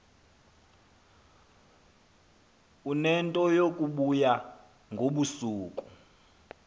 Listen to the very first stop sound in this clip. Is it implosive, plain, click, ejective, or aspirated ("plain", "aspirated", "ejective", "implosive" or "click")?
ejective